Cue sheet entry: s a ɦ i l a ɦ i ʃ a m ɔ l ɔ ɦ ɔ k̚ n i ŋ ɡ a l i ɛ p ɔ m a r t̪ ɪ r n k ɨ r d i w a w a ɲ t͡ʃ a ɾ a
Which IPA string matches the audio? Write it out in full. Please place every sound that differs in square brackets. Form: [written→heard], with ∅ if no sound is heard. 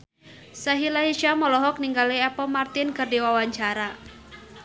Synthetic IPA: s a ɦ i l a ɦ i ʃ a m ɔ l ɔ ɦ ɔ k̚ n i ŋ ɡ a l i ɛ p ɔ m a r t̪ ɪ [r→∅] n k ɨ r d i w a w a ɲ t͡ʃ a ɾ a